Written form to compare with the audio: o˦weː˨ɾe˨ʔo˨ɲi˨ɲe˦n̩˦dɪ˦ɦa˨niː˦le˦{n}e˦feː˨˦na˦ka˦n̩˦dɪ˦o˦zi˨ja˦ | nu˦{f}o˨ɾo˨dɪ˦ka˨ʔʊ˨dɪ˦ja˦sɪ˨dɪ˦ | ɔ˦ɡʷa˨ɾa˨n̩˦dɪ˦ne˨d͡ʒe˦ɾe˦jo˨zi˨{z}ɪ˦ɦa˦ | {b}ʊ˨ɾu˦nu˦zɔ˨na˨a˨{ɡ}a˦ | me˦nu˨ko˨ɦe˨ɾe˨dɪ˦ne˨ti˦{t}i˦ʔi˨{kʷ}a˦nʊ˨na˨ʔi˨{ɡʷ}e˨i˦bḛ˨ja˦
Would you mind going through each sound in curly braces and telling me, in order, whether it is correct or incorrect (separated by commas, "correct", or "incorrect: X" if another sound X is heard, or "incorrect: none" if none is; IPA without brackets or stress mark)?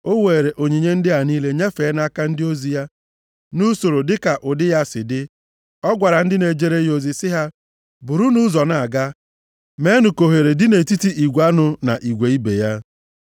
incorrect: ɲ, incorrect: s, incorrect: s, correct, correct, correct, incorrect: ɡʷ, correct